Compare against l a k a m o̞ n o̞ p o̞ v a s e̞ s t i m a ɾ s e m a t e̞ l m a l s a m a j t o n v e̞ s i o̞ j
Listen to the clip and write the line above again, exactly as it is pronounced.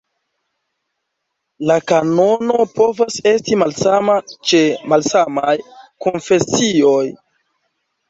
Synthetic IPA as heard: l a k a n o̞ n o̞ p o̞ v a s e̞ s t i m a l s a m a t͡ʃ e̞ m a l s a m a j k o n f e̞ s i o̞ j

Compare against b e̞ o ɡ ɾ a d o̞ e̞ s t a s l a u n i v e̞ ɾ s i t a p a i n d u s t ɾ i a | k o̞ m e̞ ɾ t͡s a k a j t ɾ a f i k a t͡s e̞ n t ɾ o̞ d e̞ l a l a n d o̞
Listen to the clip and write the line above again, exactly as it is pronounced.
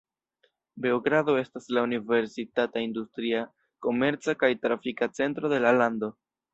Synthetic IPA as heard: b e̞ o ɡ ɾ a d o̞ e̞ s t a s l a u n i v e̞ ɾ s i t a t a i n d u s t ɾ i a | k o̞ m e̞ ɾ t͡s a k a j t ɾ a f i k a t͡s e̞ n t ɾ o̞ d e̞ l a l a n d o̞

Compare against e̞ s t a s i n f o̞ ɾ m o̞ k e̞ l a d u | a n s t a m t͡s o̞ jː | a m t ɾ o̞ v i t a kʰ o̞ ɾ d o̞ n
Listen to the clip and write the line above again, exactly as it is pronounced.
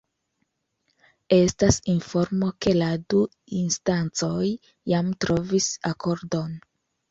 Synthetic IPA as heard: e̞ s t a s i n f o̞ ɾ m o̞ k e̞ l a d u | i n s t a n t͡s o̞ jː | a m t ɾ o̞ v i s a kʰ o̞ ɾ d o̞ n

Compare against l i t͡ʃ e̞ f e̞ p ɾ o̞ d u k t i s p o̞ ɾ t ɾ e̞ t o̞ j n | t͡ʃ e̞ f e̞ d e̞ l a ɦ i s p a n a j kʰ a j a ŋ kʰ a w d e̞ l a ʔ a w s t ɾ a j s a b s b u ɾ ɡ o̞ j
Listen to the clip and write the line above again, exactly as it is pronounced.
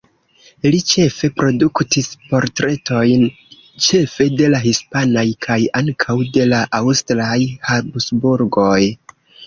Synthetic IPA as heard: l i t͡ʃ e̞ f e̞ p ɾ o̞ d u k t i s p o̞ ɾ t ɾ e̞ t o̞ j n | t͡ʃ e̞ f e̞ d e̞ l a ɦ i s p a n a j kʰ a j a ŋ kʰ a w d e̞ l a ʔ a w s t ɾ a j h a b s b u ɾ ɡ o̞ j

